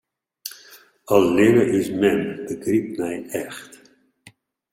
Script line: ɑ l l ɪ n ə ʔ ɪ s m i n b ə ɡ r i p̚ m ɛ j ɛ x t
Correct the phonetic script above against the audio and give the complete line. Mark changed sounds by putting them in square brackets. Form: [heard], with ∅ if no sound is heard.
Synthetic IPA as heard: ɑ l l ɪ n ə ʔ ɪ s m [ɛ] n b ə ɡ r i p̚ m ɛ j ɛ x t